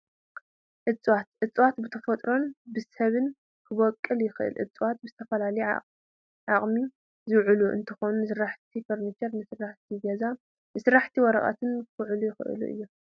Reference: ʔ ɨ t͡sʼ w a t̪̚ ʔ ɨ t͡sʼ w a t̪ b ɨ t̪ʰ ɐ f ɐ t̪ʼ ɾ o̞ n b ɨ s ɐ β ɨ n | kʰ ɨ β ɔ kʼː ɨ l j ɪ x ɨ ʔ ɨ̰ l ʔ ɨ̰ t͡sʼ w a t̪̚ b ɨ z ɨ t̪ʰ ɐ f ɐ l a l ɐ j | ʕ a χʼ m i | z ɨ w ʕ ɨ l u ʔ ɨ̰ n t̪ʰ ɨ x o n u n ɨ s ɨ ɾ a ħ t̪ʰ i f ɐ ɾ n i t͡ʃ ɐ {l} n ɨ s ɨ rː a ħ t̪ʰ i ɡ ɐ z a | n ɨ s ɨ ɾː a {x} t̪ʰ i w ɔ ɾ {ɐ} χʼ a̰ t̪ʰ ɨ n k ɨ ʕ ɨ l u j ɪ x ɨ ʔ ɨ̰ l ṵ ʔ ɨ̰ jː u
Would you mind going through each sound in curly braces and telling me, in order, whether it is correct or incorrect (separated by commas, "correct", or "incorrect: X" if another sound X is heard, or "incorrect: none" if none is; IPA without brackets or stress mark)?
incorrect: ɾ, incorrect: ħ, correct